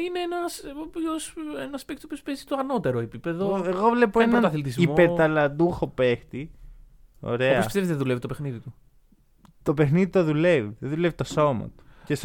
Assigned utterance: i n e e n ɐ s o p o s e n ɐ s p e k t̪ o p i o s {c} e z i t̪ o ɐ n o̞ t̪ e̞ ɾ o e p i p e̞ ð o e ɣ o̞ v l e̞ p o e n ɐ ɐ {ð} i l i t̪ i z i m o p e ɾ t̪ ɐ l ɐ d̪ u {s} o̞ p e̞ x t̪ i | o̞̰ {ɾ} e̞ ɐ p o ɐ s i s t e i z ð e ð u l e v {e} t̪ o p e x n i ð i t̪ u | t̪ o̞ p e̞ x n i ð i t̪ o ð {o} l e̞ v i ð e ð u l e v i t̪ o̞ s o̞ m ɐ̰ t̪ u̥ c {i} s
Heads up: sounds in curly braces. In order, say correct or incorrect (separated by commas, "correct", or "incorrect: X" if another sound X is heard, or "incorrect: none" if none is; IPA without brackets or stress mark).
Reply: incorrect: p, incorrect: θ, incorrect: x, correct, incorrect: i, incorrect: u, incorrect: e